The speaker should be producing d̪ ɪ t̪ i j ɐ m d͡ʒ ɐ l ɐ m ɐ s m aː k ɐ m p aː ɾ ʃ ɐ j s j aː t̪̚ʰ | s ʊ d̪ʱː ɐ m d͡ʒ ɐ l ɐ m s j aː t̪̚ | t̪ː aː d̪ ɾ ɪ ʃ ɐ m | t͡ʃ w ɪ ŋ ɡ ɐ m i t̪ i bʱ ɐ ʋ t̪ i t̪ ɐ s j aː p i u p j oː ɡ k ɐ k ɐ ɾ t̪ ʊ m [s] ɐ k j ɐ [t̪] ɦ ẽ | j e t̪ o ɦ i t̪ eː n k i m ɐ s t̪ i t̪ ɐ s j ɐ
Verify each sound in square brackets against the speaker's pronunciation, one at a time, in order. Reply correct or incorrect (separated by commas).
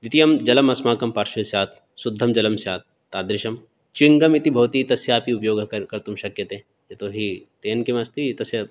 incorrect, correct